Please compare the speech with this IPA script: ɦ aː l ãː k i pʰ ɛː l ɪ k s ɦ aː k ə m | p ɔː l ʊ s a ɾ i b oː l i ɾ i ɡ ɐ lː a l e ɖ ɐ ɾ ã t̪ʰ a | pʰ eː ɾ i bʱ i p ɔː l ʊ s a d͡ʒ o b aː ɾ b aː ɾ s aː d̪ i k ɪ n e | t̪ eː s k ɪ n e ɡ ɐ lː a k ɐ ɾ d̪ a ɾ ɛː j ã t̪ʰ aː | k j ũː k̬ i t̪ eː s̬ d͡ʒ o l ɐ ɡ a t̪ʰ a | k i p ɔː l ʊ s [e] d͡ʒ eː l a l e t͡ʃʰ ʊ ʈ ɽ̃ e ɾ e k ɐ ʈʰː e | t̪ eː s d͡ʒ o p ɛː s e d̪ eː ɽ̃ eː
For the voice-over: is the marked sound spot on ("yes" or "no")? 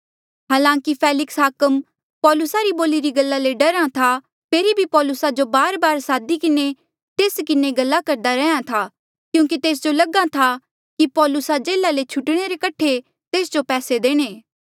no